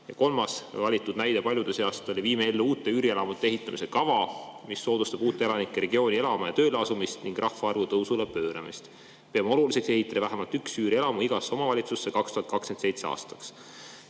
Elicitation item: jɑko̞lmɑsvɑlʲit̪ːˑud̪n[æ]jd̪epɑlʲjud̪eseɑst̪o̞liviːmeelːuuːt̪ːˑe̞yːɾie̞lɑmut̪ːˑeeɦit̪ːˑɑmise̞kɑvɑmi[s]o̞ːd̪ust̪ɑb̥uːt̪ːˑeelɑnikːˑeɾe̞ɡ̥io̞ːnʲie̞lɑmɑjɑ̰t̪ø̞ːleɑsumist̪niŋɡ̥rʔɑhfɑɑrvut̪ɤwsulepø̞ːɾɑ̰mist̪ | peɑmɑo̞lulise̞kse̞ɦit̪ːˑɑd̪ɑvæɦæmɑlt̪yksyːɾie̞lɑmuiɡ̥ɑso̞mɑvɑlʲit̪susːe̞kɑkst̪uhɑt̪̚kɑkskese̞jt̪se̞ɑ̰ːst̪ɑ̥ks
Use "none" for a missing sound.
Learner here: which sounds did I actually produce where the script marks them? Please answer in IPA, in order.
æ, sː

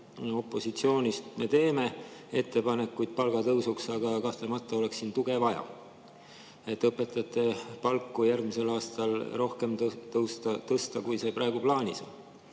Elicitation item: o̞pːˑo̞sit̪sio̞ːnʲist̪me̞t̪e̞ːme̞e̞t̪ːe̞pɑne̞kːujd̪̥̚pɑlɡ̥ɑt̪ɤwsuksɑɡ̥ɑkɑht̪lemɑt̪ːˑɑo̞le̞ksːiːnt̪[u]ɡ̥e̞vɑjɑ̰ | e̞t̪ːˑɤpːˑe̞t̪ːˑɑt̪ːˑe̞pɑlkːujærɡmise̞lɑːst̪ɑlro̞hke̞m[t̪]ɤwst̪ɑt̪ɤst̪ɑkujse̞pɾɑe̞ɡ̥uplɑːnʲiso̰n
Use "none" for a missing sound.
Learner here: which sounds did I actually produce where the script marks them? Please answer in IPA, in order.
u, t̪

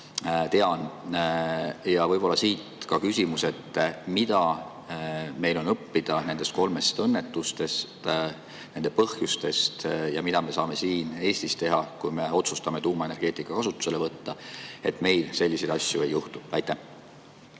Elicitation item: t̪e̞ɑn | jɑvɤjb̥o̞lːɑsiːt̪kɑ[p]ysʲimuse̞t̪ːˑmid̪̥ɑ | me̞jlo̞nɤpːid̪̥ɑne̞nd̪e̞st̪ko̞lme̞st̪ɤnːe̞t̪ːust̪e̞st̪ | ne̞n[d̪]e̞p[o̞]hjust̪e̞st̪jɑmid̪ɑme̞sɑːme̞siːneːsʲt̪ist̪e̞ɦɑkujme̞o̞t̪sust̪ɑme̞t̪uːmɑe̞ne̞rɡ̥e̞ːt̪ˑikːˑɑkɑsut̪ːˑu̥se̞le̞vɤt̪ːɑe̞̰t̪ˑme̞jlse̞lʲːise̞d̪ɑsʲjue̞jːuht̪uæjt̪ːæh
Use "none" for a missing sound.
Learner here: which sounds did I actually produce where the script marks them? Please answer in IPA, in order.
k, d̪, ɤ̞

